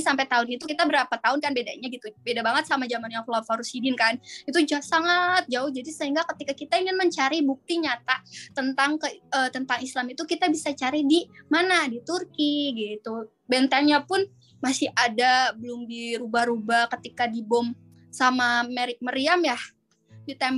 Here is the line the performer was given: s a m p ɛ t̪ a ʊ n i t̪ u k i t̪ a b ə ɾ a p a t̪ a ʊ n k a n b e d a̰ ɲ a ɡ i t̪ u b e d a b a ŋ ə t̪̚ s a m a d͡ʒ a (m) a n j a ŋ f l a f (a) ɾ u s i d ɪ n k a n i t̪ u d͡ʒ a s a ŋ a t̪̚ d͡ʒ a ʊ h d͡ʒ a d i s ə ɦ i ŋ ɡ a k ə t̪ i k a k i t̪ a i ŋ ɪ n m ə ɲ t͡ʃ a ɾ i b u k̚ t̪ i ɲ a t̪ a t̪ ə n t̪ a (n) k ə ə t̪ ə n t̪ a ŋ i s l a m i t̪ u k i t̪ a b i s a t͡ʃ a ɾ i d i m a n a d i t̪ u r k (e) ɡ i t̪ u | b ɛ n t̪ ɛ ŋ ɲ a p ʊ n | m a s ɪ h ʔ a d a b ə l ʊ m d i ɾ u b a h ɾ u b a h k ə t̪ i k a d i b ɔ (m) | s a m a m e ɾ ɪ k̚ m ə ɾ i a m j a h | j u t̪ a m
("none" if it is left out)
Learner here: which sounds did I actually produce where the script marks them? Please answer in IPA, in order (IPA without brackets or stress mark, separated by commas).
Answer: m, a, ŋ, i, m